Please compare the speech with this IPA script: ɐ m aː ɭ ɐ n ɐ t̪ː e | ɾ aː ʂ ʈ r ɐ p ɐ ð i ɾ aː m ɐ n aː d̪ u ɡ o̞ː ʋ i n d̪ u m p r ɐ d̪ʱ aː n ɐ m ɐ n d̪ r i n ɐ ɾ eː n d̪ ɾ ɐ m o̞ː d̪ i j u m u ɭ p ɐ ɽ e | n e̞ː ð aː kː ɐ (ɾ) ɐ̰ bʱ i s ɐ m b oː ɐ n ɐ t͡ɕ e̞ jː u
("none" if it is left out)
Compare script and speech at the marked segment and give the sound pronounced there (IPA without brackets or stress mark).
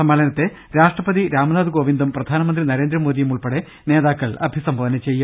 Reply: ɭ